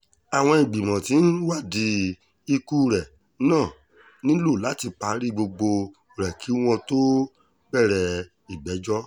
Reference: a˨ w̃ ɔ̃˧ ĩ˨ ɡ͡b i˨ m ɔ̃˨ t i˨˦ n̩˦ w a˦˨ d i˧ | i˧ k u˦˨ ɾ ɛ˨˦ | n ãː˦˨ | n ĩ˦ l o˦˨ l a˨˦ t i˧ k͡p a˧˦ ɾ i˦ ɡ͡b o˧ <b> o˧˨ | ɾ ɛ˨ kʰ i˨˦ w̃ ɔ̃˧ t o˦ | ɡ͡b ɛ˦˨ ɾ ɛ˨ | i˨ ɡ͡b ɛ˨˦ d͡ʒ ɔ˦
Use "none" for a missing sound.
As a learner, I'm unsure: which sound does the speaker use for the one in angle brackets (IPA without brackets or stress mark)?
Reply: ɡ͡b